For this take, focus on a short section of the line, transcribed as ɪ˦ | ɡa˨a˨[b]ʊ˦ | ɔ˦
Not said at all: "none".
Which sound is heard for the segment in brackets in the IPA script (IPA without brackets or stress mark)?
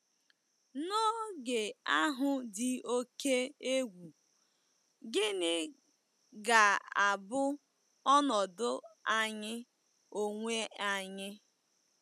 b